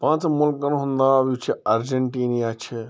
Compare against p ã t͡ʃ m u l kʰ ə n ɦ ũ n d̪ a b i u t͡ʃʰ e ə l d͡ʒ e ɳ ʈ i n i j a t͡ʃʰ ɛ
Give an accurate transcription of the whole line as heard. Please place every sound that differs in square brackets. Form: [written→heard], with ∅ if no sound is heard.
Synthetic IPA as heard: p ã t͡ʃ m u l [kʰ→k] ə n ɦ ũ n d̪ a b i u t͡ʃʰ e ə [l→ɾ] d͡ʒ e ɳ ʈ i n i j a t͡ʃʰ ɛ